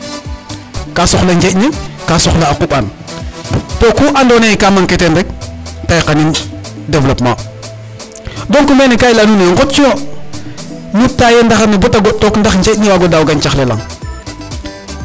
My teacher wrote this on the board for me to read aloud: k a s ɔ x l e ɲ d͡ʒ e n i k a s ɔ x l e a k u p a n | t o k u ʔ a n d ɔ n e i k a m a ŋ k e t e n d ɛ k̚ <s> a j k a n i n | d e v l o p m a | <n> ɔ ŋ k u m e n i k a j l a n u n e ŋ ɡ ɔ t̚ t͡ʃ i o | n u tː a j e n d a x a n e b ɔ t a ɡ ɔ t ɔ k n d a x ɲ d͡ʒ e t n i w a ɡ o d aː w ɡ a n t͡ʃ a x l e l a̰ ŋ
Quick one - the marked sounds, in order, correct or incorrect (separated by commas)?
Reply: incorrect, incorrect